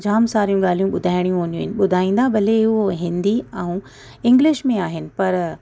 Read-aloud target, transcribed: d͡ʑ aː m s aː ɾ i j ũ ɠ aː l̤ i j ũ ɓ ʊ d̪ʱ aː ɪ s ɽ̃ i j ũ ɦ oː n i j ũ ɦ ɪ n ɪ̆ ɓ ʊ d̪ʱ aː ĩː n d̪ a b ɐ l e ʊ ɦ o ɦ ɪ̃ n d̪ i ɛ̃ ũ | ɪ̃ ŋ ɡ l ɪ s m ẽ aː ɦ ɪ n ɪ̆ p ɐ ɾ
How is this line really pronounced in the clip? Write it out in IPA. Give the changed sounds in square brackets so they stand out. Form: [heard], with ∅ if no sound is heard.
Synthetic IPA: d͡ʑ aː m s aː ɾ i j ũ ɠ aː l̤ i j ũ ɓ ʊ d̪ʱ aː ɪ [∅] ɽ̃ i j ũ ɦ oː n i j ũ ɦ ɪ n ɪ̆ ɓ ʊ d̪ʱ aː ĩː n d̪ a b ɐ l e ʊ ɦ o ɦ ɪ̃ n d̪ i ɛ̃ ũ | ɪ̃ ŋ ɡ l ɪ [ʃ] m ẽ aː ɦ ɪ n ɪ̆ p ɐ ɾ